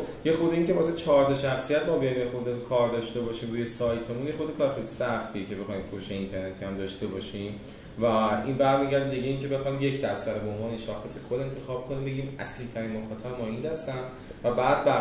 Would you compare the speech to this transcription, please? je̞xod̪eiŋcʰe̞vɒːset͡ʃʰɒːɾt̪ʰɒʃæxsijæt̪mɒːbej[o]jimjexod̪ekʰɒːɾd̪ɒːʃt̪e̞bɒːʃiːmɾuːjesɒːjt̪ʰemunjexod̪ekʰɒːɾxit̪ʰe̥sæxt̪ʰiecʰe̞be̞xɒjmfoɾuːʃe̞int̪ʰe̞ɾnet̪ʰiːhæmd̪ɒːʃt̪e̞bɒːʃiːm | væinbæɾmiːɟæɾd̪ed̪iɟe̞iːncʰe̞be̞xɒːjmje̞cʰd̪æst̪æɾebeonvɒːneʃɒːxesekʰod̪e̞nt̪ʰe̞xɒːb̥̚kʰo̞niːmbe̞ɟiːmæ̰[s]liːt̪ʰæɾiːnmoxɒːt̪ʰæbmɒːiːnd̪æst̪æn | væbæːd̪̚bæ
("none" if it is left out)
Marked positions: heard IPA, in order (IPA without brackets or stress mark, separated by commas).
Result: ɒ, s